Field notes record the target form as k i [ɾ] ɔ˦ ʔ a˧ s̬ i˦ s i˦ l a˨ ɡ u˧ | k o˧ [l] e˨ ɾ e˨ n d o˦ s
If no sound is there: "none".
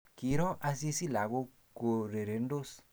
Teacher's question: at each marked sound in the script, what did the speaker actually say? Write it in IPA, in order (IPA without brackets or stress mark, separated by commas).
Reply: ɾ, ɾ